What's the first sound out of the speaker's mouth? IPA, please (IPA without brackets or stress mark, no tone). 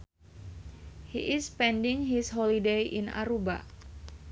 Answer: h